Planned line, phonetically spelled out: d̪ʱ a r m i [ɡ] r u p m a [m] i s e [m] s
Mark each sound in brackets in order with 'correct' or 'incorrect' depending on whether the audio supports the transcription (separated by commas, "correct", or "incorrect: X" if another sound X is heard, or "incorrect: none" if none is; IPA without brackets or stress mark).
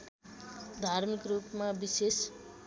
incorrect: k, incorrect: b, incorrect: none